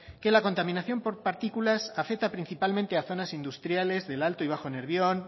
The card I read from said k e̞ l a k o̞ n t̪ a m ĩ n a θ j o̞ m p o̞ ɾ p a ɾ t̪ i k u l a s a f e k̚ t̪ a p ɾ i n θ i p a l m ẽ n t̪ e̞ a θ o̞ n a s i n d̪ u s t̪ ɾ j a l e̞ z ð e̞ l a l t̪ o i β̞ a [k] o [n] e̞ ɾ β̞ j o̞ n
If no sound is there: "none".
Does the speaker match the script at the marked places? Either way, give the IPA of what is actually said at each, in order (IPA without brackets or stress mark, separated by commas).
x, n